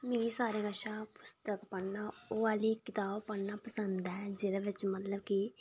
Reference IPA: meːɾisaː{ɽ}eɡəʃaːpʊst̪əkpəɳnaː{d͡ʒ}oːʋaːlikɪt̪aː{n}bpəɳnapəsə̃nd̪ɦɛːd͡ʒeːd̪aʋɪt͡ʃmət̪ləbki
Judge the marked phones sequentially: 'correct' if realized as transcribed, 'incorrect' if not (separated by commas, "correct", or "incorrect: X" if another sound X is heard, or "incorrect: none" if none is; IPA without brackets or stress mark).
incorrect: ɾ, incorrect: none, incorrect: none